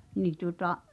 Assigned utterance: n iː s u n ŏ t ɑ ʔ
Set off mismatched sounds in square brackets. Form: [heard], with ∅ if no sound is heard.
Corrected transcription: n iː [t] u [∅] ŏ t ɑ ʔ